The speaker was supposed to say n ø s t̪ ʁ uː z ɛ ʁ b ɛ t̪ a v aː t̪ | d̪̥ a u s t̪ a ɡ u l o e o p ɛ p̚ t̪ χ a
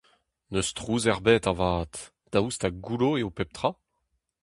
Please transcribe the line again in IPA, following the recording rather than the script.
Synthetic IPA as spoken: n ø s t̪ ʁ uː z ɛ ʁ b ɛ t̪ a v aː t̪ | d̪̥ a u s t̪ a ɡ u l o e o p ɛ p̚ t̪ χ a